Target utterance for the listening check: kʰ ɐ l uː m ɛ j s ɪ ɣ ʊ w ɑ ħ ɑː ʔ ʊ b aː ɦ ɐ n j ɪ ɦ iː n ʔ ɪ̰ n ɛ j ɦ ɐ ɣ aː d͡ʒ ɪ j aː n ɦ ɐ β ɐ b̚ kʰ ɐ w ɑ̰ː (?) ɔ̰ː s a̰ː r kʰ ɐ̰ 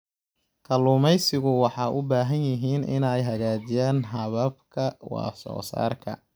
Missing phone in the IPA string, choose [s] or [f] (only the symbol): s